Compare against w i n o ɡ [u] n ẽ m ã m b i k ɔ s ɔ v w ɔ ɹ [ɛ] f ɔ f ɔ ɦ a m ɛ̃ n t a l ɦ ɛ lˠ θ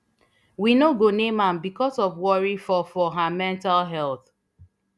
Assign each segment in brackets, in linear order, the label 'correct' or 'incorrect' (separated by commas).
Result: incorrect, incorrect